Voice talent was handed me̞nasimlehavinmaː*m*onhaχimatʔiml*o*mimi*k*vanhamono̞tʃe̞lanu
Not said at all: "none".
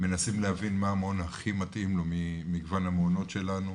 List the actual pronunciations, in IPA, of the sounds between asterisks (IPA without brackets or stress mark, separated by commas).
m, o, ɡ